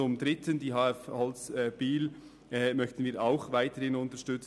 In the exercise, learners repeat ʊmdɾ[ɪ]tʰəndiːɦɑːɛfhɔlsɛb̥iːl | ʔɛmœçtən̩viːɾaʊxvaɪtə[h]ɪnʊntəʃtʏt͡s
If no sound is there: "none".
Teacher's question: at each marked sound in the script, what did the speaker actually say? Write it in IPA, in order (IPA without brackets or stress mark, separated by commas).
ɪ, h